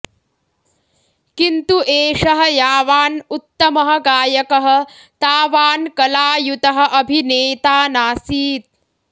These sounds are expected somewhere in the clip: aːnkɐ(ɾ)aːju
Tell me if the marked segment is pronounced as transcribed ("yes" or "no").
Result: no